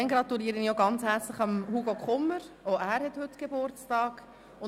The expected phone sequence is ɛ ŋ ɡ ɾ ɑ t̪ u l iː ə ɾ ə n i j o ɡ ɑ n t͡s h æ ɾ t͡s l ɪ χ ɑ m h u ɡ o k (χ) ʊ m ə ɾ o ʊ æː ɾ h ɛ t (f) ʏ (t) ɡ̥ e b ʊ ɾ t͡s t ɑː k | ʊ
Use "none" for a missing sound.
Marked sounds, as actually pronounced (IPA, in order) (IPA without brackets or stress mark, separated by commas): χ, h, t